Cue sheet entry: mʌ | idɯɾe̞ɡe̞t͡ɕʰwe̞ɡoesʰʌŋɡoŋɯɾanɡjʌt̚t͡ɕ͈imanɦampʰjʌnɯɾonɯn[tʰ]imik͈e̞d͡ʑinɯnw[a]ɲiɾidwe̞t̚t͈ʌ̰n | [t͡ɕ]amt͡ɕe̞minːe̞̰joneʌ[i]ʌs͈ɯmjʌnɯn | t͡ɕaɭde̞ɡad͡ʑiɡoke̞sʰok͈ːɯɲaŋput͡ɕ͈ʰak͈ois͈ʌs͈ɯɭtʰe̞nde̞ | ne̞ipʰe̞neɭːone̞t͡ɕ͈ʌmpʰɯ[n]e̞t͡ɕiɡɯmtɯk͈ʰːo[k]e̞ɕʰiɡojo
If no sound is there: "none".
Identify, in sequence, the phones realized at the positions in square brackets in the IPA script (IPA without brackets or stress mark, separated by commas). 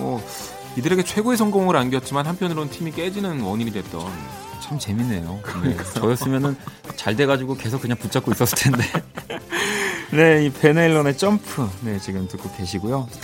tʰ, ʌ, t͡ɕʰ, j, n, k